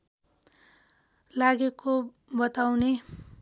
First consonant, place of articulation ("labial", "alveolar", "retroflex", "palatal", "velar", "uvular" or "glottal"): alveolar